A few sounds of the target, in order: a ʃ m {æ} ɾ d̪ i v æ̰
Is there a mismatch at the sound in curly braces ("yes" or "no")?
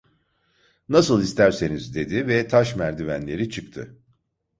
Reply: no